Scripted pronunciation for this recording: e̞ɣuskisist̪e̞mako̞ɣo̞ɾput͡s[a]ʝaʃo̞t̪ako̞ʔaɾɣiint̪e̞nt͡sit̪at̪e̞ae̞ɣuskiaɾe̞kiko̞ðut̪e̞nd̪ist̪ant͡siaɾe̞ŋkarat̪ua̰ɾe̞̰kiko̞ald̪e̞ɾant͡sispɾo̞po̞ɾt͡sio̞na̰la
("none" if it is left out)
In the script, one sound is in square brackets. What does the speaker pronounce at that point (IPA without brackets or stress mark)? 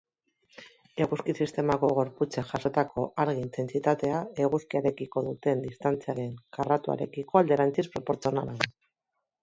e